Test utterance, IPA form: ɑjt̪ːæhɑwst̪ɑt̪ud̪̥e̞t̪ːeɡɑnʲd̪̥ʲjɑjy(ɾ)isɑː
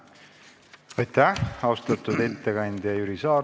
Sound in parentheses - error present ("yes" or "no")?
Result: no